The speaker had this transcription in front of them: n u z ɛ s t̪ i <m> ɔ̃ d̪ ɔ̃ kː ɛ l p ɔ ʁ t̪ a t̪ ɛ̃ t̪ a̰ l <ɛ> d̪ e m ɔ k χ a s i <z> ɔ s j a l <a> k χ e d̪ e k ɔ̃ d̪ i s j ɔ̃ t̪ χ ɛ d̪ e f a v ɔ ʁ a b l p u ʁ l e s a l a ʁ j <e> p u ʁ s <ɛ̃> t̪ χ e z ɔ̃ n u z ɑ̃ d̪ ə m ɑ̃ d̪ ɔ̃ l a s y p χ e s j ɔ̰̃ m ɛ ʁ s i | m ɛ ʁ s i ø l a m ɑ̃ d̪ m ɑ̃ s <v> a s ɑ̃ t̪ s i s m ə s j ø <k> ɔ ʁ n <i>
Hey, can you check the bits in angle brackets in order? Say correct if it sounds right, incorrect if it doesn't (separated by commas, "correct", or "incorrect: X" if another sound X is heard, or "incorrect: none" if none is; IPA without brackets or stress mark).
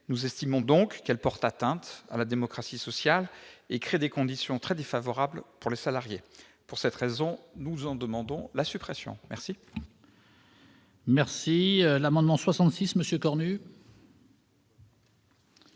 correct, incorrect: a, incorrect: s, incorrect: e, correct, incorrect: ɛ, incorrect: w, correct, incorrect: y